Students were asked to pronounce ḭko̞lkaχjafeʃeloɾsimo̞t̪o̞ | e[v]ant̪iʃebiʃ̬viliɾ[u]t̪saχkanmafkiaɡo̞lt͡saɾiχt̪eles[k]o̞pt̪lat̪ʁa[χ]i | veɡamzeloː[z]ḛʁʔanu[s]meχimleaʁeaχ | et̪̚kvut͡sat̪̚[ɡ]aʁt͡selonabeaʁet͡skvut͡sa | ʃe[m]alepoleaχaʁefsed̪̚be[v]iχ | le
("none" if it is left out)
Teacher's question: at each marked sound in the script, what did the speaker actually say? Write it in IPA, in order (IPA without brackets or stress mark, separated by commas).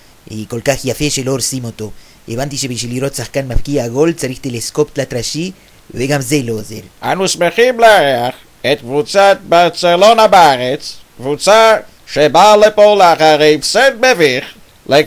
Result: v, o, k, ʃ, z, s, b, b, v